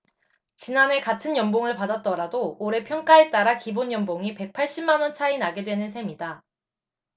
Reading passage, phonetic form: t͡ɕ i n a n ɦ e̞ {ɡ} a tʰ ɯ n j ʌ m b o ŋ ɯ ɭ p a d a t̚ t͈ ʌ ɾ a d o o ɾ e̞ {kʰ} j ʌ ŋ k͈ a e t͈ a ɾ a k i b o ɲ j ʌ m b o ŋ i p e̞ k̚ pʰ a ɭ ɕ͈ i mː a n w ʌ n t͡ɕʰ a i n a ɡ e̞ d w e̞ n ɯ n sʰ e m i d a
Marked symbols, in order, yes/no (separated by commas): no, no